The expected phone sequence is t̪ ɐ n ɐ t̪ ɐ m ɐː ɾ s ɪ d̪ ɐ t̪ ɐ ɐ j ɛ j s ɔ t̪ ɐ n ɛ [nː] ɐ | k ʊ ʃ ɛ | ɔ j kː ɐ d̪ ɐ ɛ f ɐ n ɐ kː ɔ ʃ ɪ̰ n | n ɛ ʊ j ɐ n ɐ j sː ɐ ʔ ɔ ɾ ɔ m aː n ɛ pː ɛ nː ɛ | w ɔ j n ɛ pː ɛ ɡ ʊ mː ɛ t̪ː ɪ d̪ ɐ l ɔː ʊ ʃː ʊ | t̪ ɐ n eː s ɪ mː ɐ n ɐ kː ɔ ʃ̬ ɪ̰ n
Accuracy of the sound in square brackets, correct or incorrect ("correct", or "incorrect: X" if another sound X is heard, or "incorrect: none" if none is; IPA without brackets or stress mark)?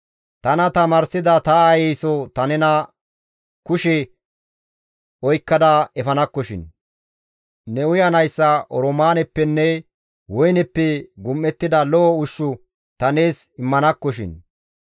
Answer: incorrect: n